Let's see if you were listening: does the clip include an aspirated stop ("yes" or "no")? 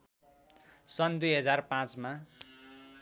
no